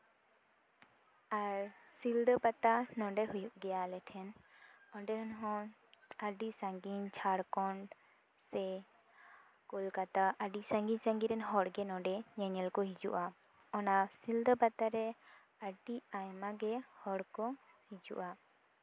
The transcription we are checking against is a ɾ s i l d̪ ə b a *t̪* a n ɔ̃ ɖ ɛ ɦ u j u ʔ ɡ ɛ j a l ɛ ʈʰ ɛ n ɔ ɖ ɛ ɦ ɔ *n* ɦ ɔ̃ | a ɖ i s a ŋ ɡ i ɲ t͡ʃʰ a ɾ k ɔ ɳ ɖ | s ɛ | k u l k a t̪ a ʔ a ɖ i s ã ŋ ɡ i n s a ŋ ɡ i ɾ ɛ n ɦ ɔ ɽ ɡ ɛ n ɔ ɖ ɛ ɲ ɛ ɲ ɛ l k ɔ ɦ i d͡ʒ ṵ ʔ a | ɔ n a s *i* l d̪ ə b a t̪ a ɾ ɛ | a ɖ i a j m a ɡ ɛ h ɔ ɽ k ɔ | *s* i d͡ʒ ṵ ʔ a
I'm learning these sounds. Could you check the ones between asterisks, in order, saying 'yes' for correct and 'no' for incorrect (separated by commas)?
yes, yes, yes, no